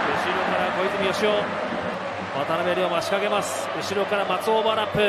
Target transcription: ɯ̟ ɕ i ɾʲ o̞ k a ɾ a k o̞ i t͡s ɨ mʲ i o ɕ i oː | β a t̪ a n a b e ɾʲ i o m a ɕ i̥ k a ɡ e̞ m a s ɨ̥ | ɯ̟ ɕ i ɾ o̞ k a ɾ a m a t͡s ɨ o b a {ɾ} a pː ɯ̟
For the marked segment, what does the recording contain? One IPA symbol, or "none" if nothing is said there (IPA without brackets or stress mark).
ɾ